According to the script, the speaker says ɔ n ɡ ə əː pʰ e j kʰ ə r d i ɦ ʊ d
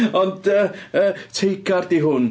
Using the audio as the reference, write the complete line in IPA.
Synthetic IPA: ɔ n d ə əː tʰ e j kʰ a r d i ɦ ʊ n